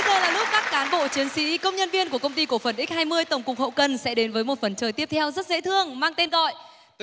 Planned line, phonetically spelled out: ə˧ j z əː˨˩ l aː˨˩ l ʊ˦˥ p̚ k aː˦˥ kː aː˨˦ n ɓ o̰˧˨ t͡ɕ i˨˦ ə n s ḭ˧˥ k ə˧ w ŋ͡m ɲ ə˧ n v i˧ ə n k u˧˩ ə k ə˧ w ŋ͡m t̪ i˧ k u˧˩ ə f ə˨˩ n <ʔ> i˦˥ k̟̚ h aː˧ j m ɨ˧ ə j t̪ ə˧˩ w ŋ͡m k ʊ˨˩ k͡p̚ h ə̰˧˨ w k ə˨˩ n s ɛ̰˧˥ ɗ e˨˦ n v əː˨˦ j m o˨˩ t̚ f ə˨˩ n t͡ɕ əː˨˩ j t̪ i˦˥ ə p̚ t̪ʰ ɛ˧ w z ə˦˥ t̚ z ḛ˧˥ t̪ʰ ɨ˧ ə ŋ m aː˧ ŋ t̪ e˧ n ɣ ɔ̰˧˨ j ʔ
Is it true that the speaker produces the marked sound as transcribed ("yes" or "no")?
yes